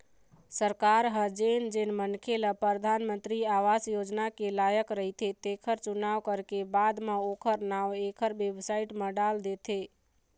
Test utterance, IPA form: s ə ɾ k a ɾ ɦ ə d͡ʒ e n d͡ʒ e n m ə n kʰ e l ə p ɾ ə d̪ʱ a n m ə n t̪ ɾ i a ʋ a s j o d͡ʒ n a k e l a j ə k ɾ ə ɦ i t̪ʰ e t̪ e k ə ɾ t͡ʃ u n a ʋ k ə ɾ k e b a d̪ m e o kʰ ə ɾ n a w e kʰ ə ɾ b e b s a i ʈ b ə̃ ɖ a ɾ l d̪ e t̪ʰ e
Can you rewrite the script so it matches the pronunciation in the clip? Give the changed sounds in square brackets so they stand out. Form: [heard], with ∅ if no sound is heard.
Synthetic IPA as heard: s ə ɾ k a ɾ ɦ ə d͡ʒ e n d͡ʒ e n m ə n kʰ e l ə p ɾ ə d̪ʱ a n m ə n t̪ ɾ i a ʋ a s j o d͡ʒ n a k e l a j ə k ɾ ə ɦ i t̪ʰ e t̪ e [kʰ] ə ɾ t͡ʃ u n a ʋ k ə ɾ k e b a d̪ m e o kʰ ə ɾ n a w e kʰ ə ɾ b e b s a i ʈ [m] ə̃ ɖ a [∅] l d̪ e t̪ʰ e